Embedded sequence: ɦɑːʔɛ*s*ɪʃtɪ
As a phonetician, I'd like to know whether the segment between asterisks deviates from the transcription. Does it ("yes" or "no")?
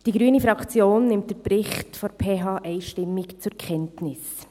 yes